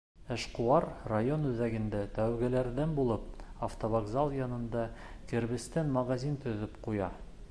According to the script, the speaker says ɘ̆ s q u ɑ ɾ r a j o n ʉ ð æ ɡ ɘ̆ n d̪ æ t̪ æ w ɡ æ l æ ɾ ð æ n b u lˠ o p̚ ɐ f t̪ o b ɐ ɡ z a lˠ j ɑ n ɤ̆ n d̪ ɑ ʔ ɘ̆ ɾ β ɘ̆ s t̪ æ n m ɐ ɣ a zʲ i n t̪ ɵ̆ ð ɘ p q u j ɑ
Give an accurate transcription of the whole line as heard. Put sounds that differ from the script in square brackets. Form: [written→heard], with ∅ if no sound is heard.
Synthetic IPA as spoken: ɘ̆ [s→ʃ] q u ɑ ɾ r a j o n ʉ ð æ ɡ ɘ̆ n d̪ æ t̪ æ w ɡ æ l æ ɾ ð æ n b u lˠ [o→ɤ] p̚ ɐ f t̪ o [b→v] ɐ ɡ z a lˠ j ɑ n ɤ̆ n d̪ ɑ [ʔ→k] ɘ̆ ɾ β ɘ̆ s t̪ æ n m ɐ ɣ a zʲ i n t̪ ɵ̆ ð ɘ p q u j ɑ